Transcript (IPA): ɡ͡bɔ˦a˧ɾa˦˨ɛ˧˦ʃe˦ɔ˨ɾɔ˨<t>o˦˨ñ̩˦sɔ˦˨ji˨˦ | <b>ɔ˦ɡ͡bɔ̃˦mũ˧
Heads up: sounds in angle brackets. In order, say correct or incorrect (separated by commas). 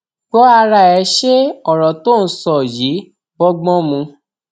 correct, correct